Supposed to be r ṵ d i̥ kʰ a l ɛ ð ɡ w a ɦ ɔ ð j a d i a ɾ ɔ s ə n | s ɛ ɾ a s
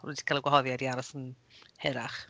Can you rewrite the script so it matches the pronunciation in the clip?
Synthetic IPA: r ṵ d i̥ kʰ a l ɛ ɡ w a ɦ ɔ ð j a d i a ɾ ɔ s ə n | h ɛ ɾ a χ